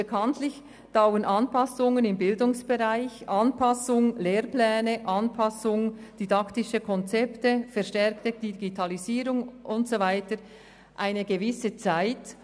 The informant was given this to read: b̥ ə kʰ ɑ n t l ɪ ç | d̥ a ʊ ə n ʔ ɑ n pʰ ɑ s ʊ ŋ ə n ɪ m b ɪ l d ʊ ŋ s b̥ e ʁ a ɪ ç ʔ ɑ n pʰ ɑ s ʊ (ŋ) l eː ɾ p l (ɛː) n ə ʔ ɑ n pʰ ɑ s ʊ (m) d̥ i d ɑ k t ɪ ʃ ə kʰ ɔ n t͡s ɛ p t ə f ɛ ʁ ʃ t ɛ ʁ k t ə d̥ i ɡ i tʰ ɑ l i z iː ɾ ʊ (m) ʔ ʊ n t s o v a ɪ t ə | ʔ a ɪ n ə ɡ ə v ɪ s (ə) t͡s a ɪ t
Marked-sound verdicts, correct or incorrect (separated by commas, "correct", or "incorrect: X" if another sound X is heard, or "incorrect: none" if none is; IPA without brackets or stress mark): correct, correct, incorrect: ŋ, incorrect: ŋ, correct